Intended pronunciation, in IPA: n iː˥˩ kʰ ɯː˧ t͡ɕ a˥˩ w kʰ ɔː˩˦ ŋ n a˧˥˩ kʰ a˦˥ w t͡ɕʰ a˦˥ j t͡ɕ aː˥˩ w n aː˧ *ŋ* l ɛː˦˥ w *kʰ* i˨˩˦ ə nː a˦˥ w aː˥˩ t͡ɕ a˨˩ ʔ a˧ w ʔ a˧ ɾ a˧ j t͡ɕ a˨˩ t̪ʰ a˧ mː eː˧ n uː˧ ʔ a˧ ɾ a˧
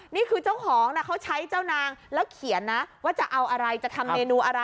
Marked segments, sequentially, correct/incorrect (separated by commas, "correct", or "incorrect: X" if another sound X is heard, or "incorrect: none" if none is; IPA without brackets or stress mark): correct, correct